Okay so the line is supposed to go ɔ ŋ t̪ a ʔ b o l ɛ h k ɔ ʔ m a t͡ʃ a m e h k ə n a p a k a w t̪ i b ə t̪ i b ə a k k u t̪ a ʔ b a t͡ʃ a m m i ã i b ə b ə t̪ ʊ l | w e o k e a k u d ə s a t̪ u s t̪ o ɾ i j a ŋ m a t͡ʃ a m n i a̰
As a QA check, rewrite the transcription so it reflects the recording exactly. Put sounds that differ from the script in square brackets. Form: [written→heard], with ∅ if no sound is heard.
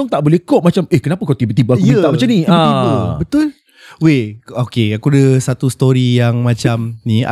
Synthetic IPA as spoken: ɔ ŋ t̪ a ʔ b o l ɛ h k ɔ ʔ m a t͡ʃ a m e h k ə n a p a k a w t̪ i b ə t̪ i b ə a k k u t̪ a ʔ [b→m] a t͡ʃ a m [m→n] i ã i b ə b ə t̪ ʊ l | w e o k e a k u d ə s a t̪ u s t̪ o ɾ i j a ŋ m a t͡ʃ a m n i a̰